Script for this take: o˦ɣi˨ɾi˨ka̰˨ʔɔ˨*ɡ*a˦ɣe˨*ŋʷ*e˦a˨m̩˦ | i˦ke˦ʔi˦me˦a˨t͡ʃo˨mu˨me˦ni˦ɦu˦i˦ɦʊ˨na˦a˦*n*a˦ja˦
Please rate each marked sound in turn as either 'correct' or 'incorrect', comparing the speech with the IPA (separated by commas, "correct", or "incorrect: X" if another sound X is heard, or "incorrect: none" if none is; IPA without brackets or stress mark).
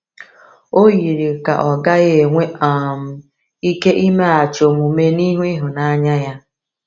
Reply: correct, correct, incorrect: ɲ